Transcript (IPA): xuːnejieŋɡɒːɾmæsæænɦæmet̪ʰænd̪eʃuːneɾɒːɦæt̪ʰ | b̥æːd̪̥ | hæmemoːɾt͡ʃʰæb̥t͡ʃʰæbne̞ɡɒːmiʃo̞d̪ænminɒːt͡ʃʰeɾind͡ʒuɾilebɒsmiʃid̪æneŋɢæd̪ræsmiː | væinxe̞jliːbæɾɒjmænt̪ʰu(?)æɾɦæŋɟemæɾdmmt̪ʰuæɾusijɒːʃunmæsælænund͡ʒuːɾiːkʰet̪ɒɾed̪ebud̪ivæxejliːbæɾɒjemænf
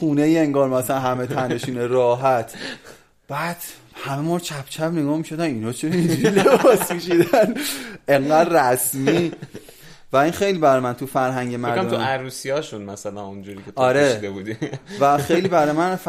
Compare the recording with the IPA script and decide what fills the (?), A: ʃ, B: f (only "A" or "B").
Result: B